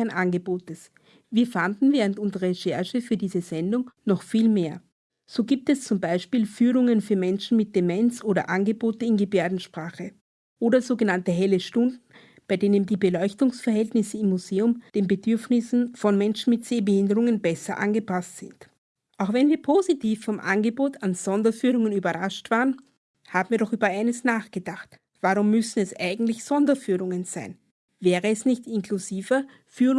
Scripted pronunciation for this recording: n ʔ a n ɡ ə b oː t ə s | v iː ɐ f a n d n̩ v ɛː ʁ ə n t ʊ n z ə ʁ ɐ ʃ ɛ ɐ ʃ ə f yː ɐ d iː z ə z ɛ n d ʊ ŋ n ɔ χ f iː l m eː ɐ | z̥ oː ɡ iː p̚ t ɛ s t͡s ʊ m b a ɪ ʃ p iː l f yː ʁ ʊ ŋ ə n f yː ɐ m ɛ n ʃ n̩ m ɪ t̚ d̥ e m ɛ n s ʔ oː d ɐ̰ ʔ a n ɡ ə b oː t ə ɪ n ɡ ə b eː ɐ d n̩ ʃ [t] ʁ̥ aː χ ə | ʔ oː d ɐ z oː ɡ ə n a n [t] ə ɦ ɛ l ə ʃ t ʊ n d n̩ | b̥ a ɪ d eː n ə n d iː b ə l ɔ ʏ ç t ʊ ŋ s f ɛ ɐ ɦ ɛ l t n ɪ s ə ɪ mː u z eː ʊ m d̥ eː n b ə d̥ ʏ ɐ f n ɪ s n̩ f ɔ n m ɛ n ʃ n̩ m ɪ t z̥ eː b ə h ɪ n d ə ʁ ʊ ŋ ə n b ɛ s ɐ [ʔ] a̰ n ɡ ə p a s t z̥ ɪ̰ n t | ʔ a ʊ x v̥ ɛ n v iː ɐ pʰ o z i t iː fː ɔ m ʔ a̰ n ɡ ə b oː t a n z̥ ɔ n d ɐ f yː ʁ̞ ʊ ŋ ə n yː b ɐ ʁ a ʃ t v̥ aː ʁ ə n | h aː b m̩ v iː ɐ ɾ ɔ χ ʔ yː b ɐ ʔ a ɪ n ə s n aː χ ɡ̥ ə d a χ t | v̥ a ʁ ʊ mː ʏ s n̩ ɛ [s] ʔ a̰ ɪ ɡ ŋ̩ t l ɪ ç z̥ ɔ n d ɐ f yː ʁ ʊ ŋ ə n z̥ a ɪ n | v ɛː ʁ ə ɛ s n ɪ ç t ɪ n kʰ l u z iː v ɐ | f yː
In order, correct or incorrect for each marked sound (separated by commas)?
incorrect, correct, correct, correct